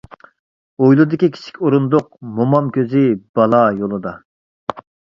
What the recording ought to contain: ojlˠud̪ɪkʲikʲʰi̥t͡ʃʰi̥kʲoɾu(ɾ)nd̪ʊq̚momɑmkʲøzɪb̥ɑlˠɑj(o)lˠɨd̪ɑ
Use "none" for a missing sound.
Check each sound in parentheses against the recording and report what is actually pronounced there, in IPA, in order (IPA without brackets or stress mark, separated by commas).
none, o